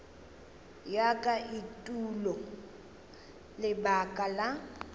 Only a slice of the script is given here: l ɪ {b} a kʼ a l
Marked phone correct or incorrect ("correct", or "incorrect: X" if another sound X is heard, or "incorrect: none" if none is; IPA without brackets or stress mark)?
correct